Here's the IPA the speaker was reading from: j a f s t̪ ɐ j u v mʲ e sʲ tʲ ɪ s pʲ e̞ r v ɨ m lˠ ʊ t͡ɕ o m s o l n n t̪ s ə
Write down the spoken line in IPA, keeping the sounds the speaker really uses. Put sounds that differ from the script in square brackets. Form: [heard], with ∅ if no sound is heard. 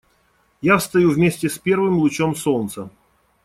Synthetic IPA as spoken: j a f s t̪ ɐ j u v mʲ e sʲ tʲ ɪ s pʲ e̞ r v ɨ m lˠ ʊ t͡ɕ o m s o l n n t̪ s ə